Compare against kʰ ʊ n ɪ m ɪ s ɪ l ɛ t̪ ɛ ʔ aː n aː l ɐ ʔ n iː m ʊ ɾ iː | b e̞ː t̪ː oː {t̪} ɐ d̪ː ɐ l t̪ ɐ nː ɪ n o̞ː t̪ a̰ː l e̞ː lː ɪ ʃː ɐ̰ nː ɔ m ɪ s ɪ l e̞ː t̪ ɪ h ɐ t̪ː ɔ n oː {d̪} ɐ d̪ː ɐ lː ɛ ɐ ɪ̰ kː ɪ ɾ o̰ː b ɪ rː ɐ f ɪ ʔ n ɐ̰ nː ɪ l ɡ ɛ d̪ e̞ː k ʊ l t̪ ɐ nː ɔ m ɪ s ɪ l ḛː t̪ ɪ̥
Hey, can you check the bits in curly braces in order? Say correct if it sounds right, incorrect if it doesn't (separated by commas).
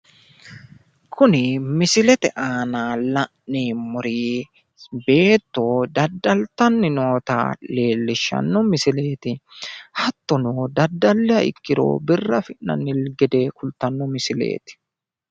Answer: incorrect, correct